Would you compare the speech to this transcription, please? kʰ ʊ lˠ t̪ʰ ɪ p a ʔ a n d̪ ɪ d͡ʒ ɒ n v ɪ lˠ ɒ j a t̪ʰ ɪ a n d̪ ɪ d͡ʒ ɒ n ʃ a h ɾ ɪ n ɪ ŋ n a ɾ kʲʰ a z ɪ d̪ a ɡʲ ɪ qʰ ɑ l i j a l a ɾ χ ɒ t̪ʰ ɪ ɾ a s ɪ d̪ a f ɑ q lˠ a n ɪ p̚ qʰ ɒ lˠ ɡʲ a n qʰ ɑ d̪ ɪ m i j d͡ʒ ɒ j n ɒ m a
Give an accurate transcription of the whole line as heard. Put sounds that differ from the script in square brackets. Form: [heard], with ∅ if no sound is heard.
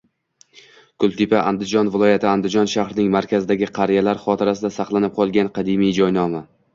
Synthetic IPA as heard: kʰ ʊ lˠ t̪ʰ ɪ p a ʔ a n d̪ ɪ d͡ʒ ɒ n v ɪ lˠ ɒ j a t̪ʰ ɪ a n d̪ ɪ d͡ʒ ɒ n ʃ a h ɾ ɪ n ɪ ŋ [m] a ɾ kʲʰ a z ɪ d̪ a ɡʲ ɪ qʰ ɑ [ɾ] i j a l a ɾ χ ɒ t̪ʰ ɪ ɾ a s ɪ d̪ a [s] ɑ q lˠ a n ɪ p̚ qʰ ɒ lˠ ɡʲ a n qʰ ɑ d̪ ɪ m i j d͡ʒ ɒ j n ɒ m a